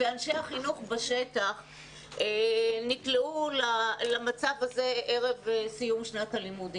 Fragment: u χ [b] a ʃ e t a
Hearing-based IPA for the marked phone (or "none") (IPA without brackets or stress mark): b